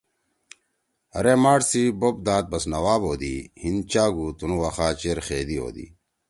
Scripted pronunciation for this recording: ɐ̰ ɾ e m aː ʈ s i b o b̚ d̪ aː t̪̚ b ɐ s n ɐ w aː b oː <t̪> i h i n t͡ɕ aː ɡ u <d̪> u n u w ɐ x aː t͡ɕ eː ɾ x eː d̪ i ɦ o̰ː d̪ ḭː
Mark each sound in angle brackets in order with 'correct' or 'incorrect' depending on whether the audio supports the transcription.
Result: incorrect: d̪, incorrect: t̪

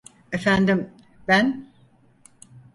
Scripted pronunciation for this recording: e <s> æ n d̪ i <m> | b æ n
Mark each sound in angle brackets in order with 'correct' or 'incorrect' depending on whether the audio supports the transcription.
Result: incorrect: f, correct

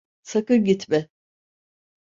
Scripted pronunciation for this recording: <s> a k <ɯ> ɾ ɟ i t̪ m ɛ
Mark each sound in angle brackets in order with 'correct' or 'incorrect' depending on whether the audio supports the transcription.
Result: correct, correct

